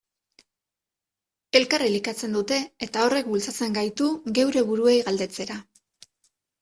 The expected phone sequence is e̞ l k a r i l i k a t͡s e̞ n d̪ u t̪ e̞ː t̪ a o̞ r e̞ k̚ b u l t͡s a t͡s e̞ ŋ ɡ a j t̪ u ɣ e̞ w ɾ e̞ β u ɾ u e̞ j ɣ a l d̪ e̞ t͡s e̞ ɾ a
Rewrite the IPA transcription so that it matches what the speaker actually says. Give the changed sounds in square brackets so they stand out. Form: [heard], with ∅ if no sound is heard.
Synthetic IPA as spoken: e̞ l k a r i l i k a t͡s e̞ n d̪ u t̪ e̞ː t̪ a o̞ r e̞ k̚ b u l t͡s a t͡s e̞ ŋ ɡ a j t̪ u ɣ e̞ w ɾ e̞ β u ɾ u e̞ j ɣ a l d̪ e̞ t͡s e̞ ɾ a